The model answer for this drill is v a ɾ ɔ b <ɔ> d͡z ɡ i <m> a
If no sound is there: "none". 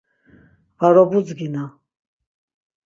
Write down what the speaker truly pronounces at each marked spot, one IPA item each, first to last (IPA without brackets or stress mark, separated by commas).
u, n